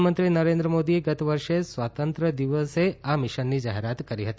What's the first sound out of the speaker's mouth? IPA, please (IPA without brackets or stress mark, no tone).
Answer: m